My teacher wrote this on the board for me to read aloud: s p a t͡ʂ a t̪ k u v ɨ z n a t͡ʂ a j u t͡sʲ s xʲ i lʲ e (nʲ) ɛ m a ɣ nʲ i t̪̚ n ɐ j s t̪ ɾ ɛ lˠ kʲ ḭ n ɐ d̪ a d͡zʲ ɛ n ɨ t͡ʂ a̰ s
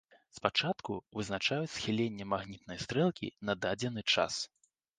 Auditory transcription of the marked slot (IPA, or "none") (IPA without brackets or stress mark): nʲː